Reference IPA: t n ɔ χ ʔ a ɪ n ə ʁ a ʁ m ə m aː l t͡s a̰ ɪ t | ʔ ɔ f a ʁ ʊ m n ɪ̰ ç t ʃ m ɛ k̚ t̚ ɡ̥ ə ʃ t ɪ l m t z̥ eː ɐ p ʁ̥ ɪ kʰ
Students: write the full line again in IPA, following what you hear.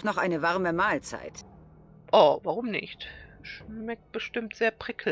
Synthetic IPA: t n ɔ χ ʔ a ɪ n ə v a ʁ m ə m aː l t͡s a̰ ɪ t | ʔ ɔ v a ʁ ʊ m n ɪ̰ ç t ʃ m ɛ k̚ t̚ b̥ ə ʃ t ɪ m t z̥ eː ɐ p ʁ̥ ɪ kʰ